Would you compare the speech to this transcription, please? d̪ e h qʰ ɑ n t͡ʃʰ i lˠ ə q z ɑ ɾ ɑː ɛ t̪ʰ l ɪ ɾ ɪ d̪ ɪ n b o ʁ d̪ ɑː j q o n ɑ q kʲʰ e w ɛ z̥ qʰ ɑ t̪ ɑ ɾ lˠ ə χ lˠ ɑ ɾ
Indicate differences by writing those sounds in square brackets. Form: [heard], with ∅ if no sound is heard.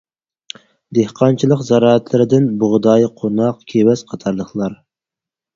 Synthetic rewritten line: d̪ e h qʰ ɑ n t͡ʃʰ i lˠ ə q z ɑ ɾ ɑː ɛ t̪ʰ l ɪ ɾ ɪ d̪ ɪ n b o ʁ d̪ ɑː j [qʰ] o n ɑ q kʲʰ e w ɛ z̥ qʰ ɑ [t̪ʰ] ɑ ɾ lˠ ə χ lˠ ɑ ɾ